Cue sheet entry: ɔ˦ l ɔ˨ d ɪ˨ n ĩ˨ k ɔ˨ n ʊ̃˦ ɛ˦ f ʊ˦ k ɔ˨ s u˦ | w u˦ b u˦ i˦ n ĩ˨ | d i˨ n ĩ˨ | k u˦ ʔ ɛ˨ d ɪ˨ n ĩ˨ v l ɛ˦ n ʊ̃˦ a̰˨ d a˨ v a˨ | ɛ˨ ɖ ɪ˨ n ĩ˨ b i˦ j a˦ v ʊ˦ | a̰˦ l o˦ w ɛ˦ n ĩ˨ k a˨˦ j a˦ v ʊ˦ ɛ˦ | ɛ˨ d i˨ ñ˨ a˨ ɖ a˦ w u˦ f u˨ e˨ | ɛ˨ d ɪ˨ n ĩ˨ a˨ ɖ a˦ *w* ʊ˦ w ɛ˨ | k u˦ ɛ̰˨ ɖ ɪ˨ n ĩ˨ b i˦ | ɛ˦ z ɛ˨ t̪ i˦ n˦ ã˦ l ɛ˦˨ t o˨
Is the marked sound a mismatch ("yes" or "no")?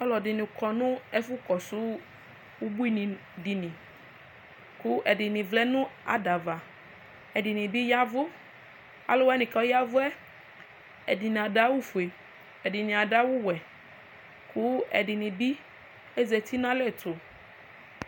no